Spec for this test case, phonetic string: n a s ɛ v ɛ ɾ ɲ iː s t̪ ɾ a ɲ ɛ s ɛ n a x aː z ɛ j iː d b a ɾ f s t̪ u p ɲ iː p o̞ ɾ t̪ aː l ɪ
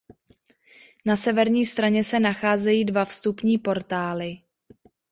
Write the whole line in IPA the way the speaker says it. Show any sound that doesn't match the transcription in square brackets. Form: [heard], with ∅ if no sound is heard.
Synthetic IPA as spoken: n a s ɛ v ɛ ɾ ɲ iː s t̪ ɾ a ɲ ɛ s ɛ n a x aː z ɛ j iː d [v] a [∅] f s t̪ u p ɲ iː p o̞ ɾ t̪ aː l ɪ